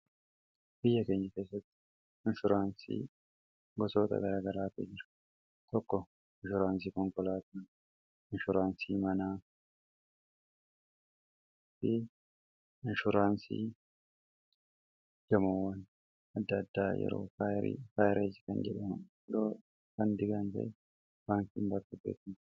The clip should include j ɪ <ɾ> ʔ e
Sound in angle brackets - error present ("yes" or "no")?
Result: no